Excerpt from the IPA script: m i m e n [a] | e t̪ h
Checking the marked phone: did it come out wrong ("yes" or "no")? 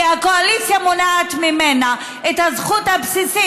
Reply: no